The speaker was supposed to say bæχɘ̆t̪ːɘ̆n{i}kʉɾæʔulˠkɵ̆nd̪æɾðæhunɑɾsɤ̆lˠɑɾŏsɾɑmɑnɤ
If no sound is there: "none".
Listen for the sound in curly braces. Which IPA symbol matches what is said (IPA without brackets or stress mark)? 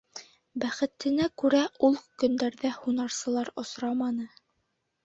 æ